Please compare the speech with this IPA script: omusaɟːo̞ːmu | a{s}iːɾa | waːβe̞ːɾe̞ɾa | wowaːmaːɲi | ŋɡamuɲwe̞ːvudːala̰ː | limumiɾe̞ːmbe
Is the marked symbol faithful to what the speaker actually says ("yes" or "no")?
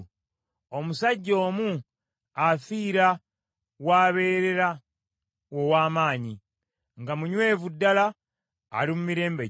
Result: no